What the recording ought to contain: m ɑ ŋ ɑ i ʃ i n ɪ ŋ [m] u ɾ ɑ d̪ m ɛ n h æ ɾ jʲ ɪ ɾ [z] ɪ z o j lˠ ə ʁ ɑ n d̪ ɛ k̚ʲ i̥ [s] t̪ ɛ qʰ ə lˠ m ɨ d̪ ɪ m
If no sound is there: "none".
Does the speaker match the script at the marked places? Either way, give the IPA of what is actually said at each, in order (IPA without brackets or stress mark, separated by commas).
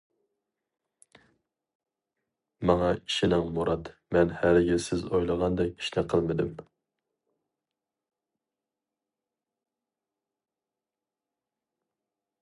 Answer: m, s, ʃ